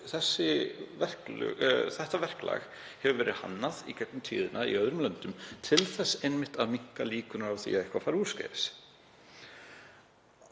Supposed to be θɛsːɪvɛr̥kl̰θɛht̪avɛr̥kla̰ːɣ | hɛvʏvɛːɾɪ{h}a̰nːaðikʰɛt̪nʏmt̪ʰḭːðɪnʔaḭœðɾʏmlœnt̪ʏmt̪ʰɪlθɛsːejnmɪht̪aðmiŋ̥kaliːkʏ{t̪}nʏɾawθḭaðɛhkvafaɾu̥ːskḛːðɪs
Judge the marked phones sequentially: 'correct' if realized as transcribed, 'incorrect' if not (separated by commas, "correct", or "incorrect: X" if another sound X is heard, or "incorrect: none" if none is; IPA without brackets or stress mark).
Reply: correct, incorrect: none